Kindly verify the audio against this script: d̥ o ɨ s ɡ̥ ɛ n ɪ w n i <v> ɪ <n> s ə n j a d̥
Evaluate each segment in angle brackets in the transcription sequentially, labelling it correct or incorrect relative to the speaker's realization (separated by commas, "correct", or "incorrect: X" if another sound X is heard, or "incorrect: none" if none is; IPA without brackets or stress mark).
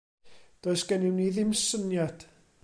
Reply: incorrect: ð, incorrect: m